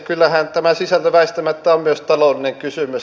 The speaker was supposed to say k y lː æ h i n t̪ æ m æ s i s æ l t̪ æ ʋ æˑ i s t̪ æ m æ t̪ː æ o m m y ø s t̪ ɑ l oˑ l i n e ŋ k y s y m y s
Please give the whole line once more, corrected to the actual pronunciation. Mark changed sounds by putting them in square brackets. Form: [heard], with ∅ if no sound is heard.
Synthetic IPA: k y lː æ h [æ] n t̪ æ m æ s i s æ l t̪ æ ʋ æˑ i s t̪ æ m æ t̪ː æ o m m y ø s t̪ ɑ l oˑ l i n e ŋ k y s y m y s